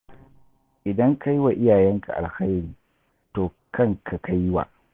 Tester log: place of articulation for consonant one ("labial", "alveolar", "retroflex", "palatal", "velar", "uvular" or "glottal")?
glottal